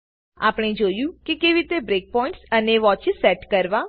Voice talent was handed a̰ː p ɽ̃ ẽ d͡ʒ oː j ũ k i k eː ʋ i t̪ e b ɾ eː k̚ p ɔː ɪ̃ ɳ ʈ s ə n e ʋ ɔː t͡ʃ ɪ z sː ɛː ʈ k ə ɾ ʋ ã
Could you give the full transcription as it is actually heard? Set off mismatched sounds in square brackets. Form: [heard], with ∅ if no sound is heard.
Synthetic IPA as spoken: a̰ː p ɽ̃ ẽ d͡ʒ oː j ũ k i k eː ʋ i t̪ e b ɾ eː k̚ p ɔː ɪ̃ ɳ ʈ s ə n e ʋ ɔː t͡ʃ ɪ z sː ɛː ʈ k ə ɾ ʋ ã